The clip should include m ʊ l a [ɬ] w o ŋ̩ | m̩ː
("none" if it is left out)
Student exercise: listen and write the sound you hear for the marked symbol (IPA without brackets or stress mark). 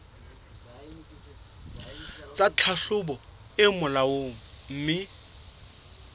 none